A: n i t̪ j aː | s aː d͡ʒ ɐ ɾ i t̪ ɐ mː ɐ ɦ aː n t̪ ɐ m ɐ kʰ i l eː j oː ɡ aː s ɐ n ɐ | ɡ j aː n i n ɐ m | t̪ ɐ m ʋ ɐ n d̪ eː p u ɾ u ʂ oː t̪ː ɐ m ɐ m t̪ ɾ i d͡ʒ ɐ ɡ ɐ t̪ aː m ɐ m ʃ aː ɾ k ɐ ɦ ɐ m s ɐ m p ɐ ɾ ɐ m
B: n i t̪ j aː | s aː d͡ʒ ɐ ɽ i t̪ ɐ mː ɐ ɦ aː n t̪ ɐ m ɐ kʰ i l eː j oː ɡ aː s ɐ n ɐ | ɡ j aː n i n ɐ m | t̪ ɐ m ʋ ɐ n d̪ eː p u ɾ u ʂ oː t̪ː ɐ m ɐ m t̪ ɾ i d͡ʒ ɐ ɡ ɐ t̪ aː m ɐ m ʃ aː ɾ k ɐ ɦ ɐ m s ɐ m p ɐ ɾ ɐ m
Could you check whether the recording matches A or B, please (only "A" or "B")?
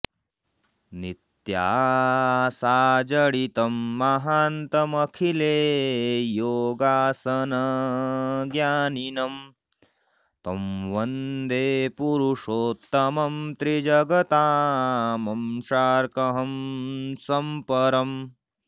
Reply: B